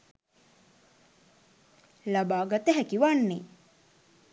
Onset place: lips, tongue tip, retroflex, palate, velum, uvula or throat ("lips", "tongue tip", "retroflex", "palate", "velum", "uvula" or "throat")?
tongue tip